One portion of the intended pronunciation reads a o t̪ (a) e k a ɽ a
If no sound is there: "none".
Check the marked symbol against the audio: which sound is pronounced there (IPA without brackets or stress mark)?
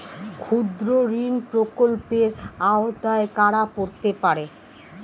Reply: a